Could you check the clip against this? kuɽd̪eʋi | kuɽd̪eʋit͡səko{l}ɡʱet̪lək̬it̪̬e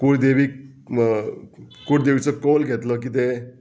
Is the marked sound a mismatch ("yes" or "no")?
no